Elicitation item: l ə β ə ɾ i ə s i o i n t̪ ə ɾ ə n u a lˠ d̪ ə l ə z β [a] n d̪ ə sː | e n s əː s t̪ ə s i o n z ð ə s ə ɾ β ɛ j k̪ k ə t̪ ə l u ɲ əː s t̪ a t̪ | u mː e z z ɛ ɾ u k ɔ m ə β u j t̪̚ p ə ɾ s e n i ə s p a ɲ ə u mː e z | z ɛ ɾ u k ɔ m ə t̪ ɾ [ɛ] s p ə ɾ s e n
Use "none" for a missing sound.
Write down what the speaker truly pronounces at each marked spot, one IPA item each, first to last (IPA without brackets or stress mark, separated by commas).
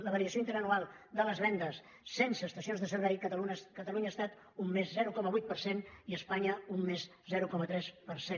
ɛ, ɛ